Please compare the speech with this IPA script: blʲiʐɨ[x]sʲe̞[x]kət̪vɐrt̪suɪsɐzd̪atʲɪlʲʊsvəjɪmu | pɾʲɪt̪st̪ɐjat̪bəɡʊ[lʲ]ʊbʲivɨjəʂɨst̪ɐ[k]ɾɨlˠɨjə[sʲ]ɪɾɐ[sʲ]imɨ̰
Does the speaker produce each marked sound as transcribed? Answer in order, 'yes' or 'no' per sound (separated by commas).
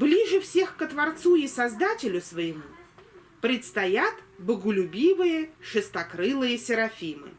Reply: no, yes, yes, yes, yes, no